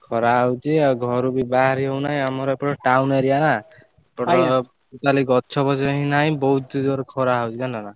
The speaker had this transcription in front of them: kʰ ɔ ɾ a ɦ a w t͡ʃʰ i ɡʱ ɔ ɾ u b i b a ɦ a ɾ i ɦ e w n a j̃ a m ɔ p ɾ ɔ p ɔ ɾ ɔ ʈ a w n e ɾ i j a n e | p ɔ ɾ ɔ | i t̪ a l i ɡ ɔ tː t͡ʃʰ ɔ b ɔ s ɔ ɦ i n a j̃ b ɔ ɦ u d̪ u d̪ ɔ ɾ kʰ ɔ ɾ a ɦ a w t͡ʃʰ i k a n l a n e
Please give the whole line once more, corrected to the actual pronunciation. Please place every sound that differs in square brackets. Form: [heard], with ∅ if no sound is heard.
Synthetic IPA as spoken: kʰ ɔ ɾ a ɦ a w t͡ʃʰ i ɡʱ ɔ ɾ u b i b a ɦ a ɾ i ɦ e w n a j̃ a m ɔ [∅] ɾ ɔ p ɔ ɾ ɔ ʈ a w n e ɾ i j a n [a] | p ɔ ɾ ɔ | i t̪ a l i ɡ ɔ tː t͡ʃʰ ɔ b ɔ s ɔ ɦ i n a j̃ b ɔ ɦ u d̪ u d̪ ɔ ɾ kʰ ɔ ɾ a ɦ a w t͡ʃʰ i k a n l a n [a]